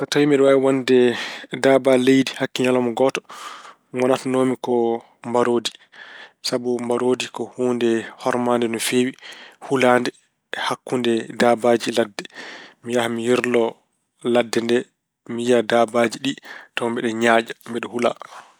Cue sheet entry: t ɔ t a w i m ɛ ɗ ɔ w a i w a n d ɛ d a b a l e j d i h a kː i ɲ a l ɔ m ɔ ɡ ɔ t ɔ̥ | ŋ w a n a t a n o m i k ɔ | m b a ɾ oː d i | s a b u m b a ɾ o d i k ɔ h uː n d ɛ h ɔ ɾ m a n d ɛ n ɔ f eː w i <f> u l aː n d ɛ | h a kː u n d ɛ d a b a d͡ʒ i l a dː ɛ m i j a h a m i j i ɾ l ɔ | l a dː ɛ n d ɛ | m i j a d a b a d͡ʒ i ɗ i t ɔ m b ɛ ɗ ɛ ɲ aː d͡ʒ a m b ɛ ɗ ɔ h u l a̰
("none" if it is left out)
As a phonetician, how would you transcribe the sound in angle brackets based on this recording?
h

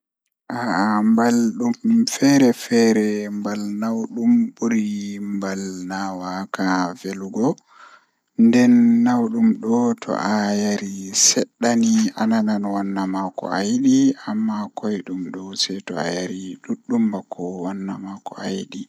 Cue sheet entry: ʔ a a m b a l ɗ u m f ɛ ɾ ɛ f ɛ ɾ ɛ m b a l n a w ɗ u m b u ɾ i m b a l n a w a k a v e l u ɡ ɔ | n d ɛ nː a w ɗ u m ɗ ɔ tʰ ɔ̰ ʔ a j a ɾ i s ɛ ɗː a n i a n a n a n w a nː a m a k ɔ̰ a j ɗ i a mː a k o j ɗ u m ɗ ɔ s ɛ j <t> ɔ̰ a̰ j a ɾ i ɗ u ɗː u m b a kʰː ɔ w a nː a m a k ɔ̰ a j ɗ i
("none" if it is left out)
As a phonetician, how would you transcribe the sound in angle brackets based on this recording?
t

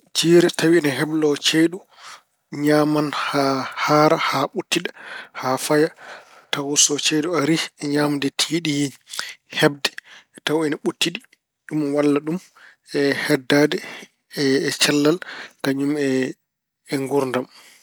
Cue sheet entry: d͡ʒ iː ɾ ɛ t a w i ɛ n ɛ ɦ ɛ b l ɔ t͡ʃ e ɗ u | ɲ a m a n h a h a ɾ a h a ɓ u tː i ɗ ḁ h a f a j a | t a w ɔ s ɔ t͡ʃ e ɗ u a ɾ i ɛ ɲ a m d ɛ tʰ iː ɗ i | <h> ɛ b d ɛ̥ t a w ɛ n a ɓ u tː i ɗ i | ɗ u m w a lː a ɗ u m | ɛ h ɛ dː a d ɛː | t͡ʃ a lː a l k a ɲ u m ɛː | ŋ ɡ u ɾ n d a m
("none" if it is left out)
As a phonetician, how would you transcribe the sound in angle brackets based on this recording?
h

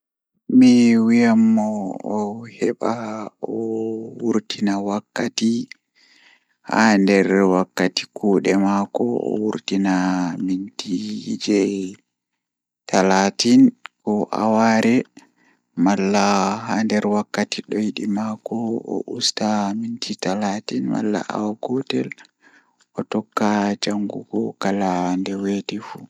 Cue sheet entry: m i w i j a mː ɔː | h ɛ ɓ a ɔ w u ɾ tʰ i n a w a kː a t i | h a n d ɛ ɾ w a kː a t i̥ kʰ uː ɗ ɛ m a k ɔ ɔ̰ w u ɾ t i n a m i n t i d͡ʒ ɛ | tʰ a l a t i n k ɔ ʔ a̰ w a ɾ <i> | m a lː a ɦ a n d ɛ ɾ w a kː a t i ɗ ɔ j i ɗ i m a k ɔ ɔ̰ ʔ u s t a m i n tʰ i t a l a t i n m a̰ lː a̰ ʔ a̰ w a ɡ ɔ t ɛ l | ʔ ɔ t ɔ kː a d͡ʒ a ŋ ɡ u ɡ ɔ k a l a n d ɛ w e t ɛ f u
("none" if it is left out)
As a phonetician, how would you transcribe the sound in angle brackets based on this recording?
ɛ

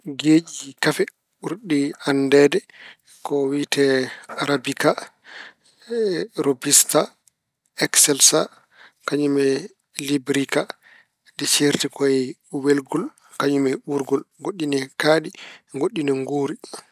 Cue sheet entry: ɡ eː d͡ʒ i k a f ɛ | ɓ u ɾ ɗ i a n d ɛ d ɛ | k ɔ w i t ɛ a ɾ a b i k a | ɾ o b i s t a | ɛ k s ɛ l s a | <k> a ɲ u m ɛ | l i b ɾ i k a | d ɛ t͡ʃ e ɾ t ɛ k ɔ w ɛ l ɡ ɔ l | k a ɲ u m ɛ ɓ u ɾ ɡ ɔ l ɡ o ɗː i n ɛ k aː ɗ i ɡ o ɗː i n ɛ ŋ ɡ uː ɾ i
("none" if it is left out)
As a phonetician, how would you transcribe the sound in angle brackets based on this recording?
k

